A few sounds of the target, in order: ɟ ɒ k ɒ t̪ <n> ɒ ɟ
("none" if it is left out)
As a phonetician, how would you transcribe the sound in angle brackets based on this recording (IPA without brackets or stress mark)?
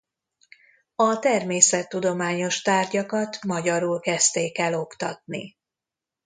m